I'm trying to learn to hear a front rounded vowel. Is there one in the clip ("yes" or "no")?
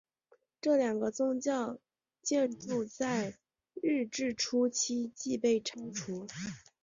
no